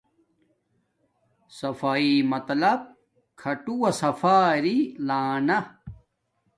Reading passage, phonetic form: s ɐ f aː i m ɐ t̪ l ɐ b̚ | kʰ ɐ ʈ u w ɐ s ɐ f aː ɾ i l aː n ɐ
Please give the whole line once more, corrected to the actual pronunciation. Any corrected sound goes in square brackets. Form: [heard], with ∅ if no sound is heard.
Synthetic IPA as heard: s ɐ f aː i m ɐ t̪ l ɐ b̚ | kʰ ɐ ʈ u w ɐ s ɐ f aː ɾ i l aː n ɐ